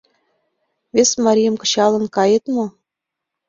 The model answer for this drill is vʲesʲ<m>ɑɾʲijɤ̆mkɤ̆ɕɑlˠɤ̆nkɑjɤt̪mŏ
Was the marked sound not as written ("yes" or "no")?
no